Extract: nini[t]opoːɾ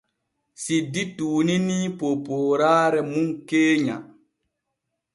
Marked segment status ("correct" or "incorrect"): incorrect